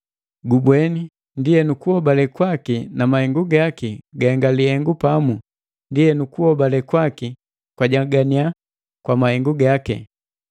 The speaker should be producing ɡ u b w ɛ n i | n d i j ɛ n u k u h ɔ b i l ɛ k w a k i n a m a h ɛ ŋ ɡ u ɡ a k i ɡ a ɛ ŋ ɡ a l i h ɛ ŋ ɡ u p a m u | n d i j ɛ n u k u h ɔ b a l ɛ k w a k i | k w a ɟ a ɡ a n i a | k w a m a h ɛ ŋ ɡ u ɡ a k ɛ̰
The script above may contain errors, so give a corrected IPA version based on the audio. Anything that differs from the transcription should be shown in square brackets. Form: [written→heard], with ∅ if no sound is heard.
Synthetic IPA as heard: ɡ u b w ɛ n i | n d i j ɛ n u k u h ɔ b [i→a] l ɛ k w a k i n a m a h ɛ ŋ ɡ u ɡ a k i ɡ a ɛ ŋ ɡ a l i h ɛ ŋ ɡ u p a m u | n d i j ɛ n u k u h ɔ b a l ɛ k w a k i | k w a ɟ a ɡ a n i a | k w a m a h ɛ ŋ ɡ u ɡ a k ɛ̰